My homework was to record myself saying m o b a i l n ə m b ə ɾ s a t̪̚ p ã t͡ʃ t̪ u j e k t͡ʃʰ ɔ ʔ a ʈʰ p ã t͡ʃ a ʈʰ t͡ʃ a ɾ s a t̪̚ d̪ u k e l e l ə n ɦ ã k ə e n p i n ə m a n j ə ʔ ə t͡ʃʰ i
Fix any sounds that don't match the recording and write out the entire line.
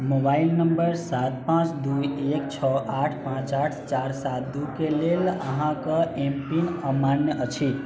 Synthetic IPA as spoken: m o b a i l n ə m b ə ɾ s a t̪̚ p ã t͡ʃ d̪ u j e k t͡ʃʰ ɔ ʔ a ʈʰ p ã t͡ʃ a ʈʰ t͡ʃ a ɾ s a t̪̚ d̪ u k e l e l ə ɦ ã k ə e m p i n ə m a n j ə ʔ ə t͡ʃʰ i